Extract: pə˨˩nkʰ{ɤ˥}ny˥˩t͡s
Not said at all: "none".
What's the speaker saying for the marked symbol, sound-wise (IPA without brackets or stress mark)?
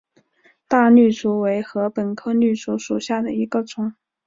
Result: ɤ˥